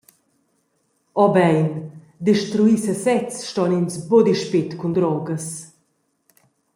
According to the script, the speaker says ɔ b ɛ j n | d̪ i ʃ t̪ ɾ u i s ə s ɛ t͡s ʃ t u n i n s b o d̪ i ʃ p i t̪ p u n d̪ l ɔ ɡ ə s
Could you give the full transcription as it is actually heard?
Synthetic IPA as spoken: ɔ b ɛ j n | d̪ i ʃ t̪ ɾ u i s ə s ɛ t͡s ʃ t ɔ n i n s b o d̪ i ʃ p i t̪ k u n d̪ ɾ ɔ ɡ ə s